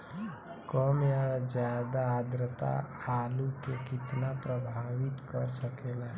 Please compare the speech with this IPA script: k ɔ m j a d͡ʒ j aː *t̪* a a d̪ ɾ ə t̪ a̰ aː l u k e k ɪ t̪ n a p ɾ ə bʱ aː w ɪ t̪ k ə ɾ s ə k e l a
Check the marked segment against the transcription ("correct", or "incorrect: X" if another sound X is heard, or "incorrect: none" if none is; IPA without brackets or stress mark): incorrect: d̪